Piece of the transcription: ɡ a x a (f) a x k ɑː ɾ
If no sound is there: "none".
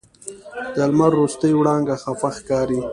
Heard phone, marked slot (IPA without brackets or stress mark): f